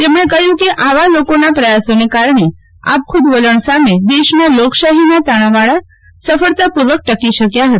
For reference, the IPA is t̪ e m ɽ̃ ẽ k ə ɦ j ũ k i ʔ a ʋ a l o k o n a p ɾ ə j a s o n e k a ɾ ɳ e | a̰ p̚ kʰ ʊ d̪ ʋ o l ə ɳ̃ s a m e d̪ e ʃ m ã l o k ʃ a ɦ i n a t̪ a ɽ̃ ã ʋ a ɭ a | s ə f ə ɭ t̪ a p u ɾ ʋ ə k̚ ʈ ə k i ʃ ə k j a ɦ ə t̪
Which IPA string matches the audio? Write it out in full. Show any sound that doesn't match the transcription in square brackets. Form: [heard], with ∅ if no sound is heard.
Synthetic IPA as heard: t̪ e m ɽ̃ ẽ k ə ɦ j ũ k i ʔ a ʋ a l o k o n a p ɾ ə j a s o n e k a ɾ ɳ e | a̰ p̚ kʰ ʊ d̪ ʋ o l ə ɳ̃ s a m e d̪ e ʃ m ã l o k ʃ a ɦ i n a t̪ a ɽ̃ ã ʋ a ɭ a | s ə f ə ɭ t̪ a p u ɾ ʋ ə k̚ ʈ ə k i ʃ ə k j a ɦ ə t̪